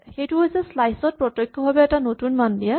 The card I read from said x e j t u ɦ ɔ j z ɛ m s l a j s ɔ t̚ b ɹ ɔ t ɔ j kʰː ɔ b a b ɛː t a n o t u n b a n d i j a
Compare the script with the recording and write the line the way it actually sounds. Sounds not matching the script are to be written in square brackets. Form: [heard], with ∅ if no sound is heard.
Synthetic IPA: x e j t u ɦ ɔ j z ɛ [∅] s l a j s ɔ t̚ [p] ɹ ɔ t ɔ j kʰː ɔ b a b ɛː t a n o t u n [m] a n d i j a